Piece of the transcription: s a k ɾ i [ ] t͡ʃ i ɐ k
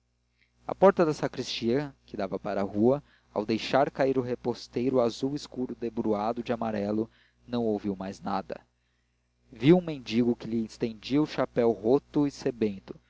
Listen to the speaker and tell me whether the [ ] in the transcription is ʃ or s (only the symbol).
s